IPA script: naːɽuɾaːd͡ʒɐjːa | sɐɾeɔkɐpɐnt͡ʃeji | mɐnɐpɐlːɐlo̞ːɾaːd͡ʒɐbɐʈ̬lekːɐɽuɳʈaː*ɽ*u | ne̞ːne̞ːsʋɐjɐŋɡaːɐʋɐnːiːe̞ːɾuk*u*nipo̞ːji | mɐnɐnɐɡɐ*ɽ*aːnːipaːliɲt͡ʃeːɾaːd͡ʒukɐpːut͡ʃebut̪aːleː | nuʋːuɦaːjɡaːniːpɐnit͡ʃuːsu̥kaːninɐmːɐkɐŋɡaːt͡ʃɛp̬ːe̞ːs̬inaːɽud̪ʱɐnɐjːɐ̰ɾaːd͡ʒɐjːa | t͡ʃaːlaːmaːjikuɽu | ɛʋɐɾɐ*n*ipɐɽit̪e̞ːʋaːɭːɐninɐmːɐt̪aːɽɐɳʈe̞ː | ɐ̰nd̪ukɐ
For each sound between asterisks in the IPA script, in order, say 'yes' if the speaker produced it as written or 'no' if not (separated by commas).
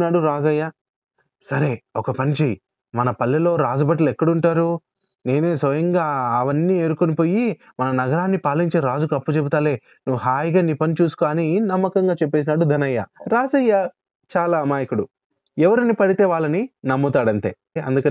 no, no, no, yes